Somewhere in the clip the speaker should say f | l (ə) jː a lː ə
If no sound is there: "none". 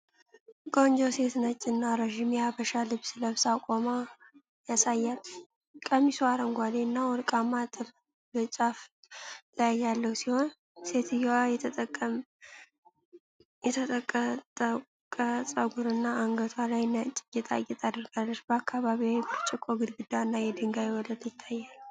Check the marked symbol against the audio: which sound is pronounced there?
a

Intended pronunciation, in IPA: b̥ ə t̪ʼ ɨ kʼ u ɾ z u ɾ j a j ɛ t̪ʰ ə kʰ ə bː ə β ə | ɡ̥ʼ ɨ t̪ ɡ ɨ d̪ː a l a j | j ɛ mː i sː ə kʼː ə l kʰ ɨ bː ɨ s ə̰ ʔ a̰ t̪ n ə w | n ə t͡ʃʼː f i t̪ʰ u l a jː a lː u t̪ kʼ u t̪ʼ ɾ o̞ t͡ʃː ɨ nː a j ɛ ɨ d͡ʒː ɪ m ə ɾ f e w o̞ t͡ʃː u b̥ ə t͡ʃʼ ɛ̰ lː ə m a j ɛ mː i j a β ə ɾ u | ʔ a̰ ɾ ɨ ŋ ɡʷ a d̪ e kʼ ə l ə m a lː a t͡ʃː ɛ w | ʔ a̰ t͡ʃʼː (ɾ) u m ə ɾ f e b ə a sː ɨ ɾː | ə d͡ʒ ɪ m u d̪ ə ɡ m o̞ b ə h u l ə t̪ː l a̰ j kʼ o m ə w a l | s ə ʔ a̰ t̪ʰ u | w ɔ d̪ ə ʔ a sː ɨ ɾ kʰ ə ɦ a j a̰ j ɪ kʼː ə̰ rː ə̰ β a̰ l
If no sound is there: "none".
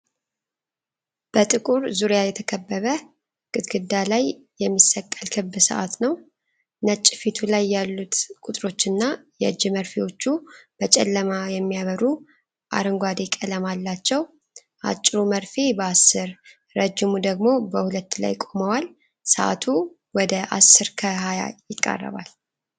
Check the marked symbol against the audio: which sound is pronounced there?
ɾ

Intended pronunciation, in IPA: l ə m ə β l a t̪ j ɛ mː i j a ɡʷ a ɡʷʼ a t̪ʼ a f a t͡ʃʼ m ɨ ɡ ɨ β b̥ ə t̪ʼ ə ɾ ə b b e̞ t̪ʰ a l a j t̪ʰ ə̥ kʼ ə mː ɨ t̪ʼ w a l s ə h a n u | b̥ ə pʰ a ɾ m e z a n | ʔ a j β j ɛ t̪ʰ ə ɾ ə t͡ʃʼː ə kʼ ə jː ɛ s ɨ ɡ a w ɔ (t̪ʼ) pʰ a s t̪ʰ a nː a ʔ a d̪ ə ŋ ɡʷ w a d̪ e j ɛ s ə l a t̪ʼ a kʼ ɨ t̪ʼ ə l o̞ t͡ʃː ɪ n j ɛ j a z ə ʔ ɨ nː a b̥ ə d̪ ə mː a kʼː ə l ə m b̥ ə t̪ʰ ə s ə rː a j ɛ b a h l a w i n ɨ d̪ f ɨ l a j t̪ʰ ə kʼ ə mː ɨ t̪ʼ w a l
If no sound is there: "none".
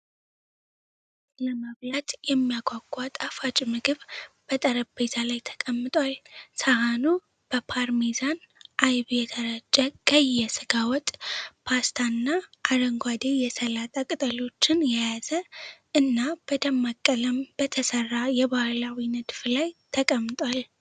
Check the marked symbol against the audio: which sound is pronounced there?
t̪ʼ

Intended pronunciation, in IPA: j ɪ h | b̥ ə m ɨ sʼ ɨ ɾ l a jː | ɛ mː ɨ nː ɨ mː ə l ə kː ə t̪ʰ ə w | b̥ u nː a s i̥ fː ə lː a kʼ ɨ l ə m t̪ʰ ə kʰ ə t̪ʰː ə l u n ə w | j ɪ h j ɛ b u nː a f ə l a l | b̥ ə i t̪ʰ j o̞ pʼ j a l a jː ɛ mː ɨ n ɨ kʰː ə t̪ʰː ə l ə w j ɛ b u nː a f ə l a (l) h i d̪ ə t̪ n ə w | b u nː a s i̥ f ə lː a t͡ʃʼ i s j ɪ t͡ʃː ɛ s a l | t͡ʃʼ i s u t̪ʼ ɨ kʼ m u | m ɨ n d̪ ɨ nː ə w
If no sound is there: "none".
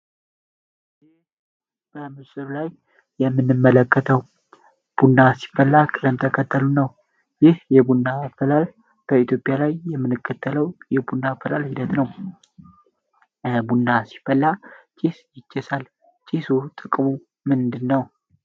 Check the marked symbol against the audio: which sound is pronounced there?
l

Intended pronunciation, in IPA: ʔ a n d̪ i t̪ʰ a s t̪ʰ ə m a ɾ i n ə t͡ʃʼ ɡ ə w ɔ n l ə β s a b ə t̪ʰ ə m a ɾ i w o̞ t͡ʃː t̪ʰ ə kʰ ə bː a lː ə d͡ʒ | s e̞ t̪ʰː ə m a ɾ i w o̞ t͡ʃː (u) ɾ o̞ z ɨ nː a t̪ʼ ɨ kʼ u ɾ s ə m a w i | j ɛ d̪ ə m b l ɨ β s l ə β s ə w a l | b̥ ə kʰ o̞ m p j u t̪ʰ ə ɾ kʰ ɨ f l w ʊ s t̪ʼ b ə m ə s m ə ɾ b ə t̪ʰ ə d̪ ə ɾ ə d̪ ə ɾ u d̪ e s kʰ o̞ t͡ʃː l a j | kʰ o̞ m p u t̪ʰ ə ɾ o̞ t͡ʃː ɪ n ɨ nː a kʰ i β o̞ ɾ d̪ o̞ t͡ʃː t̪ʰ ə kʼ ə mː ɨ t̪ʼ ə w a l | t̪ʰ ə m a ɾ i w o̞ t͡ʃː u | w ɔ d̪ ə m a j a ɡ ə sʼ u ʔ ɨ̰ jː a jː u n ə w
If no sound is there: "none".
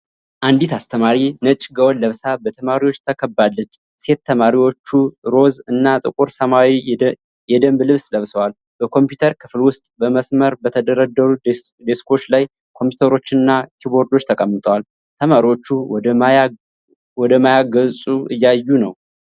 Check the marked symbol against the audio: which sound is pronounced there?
u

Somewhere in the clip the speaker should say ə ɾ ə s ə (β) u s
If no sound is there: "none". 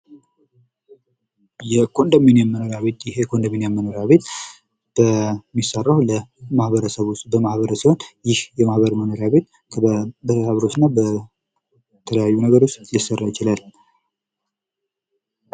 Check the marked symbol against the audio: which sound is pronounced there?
β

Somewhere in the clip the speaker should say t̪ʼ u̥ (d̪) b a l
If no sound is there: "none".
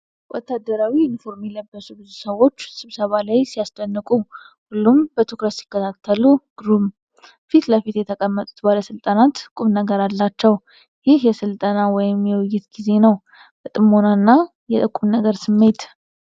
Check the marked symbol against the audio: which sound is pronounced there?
t̪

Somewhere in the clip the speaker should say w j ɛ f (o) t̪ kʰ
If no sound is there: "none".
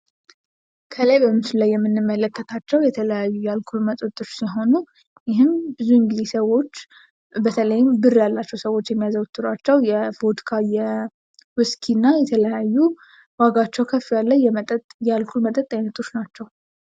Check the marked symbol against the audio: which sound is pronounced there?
o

